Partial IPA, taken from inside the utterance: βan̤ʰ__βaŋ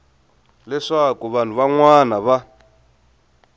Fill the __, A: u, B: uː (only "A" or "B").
A